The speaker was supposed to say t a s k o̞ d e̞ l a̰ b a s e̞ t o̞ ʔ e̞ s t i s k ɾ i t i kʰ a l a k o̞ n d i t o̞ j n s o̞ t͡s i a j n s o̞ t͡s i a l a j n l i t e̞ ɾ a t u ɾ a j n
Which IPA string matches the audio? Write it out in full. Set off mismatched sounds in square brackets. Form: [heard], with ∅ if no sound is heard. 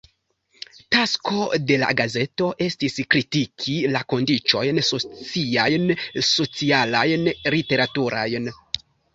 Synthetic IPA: t a s k o̞ d e̞ l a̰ [ɡ] a [z] e̞ t o̞ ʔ e̞ s t i s k ɾ i t i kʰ [i] l a k o̞ n d i [t͡ʃ] o̞ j n s o̞ t͡s i a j n s o̞ t͡s i a l a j n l i t e̞ ɾ a t u ɾ a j n